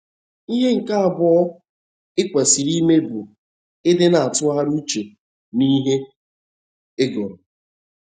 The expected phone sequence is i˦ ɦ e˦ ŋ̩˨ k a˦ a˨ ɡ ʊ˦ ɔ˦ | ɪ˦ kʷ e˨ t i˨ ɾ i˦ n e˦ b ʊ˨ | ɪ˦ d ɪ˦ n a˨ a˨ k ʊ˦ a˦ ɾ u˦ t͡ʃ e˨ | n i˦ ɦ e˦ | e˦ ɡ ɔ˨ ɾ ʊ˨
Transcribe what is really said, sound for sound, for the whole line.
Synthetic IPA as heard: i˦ ɦ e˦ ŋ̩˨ k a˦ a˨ b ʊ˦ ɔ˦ | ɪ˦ kʷ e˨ s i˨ ɾ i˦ m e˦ b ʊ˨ | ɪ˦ d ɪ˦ n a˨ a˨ t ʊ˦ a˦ ɾ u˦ t͡ʃ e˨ | n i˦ ɦ e˦ | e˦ ɡ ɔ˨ ɾ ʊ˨